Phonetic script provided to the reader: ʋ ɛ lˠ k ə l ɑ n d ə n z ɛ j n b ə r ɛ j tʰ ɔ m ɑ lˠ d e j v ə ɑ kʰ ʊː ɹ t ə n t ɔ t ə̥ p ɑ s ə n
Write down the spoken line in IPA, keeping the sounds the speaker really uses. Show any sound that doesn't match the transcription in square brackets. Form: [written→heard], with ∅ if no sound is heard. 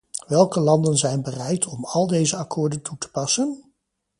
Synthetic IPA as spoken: ʋ ɛ lˠ k ə l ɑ n d ə n z ɛ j n b ə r ɛ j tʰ ɔ m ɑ lˠ d e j [v→z] ə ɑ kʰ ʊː ɹ [t→d] ə n t [ɔ→u] t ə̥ p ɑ s ə n

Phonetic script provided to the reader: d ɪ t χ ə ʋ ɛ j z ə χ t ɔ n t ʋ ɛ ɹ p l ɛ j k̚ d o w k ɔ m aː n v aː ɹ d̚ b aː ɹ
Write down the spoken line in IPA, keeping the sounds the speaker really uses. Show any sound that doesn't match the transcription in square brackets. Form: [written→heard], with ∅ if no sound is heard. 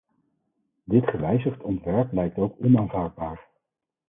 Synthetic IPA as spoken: d ɪ t χ ə ʋ ɛ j z ə χ t ɔ n t ʋ ɛ ɹ p l ɛ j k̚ [d→t] o w k ɔ [m→n] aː n v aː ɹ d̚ b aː ɹ

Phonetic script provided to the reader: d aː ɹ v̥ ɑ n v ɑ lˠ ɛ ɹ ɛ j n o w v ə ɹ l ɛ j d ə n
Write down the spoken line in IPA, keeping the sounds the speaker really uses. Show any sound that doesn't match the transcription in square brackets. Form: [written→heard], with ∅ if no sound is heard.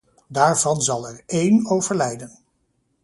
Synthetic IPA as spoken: d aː ɹ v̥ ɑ n [v→z] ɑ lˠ ɛ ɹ [ɛ→e] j n o w v ə ɹ l ɛ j d ə n

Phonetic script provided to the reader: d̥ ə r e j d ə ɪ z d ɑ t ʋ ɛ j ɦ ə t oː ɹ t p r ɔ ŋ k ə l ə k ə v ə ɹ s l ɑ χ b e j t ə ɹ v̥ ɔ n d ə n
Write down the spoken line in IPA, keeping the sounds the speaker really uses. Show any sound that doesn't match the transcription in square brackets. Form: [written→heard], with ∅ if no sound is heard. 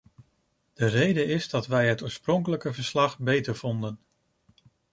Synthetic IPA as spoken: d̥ ə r e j d ə ɪ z d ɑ t ʋ ɛ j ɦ ə t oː ɹ [t→s] p r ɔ ŋ k ə l ə k ə v ə ɹ s l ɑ χ b e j t ə ɹ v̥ ɔ n d ə n

